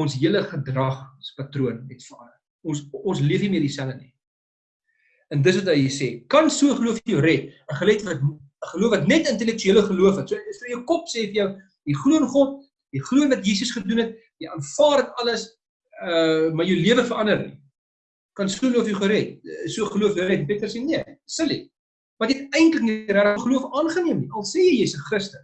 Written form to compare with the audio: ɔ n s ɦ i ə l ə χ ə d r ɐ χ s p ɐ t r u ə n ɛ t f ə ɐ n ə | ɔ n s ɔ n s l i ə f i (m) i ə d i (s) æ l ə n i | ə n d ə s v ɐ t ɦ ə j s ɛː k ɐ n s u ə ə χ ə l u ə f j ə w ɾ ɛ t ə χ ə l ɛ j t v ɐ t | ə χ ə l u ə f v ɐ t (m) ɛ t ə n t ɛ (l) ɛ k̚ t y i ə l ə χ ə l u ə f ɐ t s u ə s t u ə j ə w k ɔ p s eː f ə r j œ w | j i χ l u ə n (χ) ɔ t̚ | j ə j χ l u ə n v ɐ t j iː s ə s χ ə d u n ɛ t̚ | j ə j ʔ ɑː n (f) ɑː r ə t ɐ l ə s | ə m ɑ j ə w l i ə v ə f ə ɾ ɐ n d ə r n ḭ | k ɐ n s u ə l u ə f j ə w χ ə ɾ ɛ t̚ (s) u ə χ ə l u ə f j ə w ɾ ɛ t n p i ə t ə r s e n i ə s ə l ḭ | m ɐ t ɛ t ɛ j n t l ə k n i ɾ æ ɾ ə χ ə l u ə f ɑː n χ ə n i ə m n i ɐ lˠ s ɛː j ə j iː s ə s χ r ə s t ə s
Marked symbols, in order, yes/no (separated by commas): yes, yes, no, yes, yes, yes, yes